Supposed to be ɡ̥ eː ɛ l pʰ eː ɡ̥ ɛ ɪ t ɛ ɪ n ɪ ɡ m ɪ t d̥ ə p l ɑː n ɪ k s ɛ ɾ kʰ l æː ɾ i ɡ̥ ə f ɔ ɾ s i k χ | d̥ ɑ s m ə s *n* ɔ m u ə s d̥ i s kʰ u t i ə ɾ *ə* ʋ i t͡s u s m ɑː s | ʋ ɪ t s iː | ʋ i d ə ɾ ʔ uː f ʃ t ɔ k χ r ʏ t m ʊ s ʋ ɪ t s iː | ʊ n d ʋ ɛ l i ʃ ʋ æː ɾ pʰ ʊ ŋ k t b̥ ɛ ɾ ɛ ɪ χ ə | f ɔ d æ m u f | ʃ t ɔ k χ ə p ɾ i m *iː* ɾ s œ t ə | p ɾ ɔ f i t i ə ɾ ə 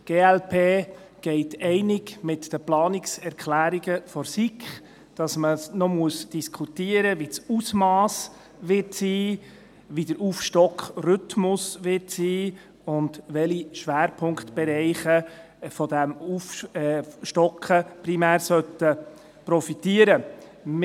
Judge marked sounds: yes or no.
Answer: yes, yes, no

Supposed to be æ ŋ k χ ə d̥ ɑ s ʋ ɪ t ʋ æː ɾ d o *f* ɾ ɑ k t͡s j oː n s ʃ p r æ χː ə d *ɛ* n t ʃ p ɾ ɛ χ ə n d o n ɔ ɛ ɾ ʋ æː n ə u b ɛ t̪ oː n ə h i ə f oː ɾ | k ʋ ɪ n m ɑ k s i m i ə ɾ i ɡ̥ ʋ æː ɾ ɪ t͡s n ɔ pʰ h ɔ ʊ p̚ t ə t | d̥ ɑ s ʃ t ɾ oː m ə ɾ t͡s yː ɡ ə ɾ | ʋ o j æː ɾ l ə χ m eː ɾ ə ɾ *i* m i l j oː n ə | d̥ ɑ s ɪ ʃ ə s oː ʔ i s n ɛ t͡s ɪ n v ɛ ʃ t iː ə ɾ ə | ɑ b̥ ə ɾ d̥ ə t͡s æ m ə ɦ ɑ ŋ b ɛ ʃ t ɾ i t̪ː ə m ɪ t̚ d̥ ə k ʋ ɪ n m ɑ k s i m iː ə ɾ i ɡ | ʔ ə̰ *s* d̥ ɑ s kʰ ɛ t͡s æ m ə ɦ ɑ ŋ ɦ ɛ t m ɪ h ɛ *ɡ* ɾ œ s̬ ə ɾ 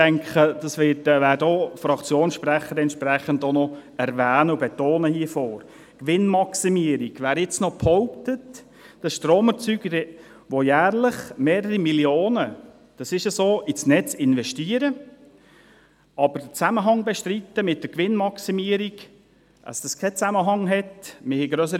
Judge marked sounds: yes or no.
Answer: yes, yes, yes, yes, yes

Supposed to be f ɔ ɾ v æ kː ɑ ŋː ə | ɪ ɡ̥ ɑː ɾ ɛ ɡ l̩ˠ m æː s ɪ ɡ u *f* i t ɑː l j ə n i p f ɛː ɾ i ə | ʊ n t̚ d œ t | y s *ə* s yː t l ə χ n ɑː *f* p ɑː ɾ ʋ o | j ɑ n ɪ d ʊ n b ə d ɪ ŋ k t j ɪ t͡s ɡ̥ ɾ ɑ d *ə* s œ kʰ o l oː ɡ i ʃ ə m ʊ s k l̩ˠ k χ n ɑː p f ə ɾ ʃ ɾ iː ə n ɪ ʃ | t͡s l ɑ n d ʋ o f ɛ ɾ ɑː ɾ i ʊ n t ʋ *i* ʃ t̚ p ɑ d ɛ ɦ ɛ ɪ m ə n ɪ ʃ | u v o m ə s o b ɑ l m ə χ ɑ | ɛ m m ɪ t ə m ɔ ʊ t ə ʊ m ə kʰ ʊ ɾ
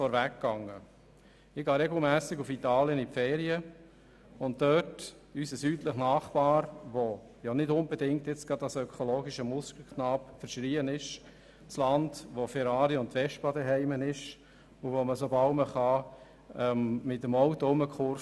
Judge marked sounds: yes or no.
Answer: yes, yes, no, no, no

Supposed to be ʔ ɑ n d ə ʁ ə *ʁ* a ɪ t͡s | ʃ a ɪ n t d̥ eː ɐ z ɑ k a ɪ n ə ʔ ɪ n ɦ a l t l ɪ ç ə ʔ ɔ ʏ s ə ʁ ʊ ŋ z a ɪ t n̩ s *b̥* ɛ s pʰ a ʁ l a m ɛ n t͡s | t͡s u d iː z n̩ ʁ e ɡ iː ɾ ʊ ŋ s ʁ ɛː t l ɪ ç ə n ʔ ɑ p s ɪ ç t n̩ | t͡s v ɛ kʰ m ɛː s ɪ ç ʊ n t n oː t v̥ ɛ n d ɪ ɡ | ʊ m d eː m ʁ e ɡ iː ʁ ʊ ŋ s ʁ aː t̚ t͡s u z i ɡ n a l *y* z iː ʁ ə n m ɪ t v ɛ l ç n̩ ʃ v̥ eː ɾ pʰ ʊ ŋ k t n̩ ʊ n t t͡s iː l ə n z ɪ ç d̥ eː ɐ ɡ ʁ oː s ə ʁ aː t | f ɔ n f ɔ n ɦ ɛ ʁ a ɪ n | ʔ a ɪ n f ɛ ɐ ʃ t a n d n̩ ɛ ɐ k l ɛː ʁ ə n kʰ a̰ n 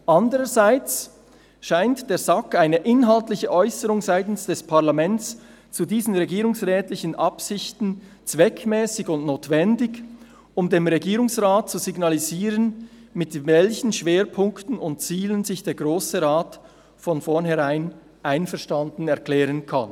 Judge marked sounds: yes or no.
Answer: no, no, no

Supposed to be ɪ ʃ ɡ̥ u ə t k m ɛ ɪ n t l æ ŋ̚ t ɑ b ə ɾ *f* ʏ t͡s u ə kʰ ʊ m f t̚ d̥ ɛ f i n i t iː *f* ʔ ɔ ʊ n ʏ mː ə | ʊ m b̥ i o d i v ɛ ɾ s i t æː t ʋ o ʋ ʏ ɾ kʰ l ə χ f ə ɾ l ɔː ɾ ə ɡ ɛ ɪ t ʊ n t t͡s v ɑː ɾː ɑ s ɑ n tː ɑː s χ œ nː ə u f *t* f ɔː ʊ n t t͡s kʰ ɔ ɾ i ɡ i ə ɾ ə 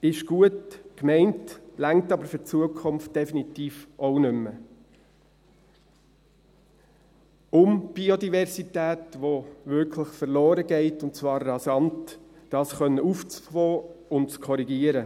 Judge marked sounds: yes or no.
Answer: yes, yes, no

